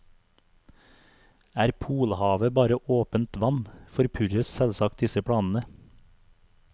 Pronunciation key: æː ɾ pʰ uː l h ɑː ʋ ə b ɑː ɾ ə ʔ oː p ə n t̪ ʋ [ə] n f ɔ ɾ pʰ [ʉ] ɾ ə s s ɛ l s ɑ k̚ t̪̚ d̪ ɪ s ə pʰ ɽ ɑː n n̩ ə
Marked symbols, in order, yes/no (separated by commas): no, yes